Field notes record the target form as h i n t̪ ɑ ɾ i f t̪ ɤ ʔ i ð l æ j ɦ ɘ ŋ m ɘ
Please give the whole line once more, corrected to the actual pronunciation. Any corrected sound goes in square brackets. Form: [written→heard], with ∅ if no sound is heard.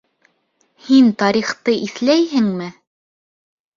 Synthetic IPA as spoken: h i n t̪ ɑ ɾ i [f→χ] t̪ ɤ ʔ i [ð→θ] l æ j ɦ ɘ ŋ m ɘ